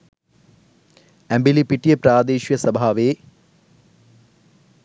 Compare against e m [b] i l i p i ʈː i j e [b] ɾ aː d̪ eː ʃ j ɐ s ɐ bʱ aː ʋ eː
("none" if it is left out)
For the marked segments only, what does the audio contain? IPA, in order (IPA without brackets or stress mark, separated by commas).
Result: b, p